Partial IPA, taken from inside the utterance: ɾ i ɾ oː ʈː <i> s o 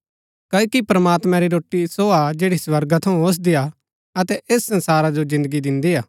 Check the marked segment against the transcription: correct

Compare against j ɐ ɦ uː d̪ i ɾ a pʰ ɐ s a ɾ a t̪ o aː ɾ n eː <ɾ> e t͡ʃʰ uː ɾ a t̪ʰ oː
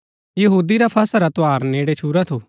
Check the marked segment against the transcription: incorrect: ɽ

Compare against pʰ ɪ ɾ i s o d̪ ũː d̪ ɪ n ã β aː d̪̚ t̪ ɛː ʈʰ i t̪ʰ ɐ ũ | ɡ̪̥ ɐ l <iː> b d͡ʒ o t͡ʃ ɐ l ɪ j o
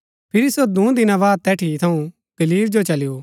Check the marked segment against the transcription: correct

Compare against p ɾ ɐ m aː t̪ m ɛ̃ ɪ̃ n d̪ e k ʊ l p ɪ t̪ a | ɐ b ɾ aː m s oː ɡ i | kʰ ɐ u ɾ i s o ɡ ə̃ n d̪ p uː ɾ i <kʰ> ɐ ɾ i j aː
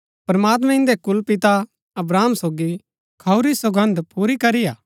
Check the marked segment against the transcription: incorrect: k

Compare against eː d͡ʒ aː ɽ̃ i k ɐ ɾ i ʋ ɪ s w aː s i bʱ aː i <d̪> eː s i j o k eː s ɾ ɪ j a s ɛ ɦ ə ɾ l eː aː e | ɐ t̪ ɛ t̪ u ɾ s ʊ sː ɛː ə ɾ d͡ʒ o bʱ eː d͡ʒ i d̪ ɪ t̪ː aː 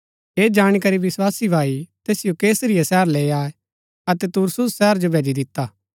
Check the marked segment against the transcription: incorrect: t̪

